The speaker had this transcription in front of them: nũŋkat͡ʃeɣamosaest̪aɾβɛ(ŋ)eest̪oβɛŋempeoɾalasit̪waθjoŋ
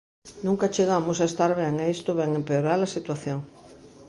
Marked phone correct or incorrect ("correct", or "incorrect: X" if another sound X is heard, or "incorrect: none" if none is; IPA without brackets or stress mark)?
correct